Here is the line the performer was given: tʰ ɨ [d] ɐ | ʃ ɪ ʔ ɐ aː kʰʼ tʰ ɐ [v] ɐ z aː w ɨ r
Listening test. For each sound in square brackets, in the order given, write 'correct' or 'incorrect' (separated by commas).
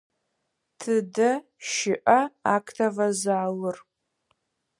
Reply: correct, correct